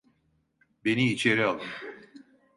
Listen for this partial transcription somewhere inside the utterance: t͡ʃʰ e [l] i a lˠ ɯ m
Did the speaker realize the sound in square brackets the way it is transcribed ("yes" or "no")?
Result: no